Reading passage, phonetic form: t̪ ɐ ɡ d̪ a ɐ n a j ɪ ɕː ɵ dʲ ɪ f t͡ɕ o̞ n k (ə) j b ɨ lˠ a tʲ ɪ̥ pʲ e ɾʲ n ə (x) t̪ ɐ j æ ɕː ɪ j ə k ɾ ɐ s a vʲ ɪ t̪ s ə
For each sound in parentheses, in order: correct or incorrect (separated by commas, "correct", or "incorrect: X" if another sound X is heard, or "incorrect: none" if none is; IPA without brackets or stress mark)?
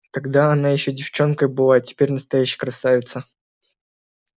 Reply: correct, incorrect: s